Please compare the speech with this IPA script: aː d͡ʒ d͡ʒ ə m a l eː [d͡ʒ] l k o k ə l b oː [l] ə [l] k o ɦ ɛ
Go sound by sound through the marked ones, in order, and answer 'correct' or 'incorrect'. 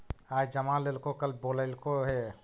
incorrect, correct, correct

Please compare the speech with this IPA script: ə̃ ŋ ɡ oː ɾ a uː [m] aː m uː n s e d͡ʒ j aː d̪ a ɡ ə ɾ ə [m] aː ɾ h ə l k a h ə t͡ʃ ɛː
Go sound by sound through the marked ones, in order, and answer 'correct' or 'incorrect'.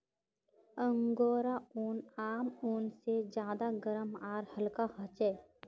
incorrect, correct

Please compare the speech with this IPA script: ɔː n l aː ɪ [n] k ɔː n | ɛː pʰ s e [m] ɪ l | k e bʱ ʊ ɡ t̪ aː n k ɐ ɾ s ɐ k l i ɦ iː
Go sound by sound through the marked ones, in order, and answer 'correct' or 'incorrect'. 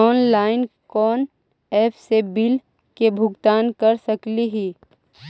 correct, incorrect

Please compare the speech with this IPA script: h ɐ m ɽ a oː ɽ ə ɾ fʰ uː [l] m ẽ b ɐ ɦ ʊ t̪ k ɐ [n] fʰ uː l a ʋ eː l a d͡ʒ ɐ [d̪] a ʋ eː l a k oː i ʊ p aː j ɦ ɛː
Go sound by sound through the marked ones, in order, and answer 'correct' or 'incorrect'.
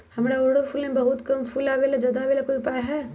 correct, incorrect, correct

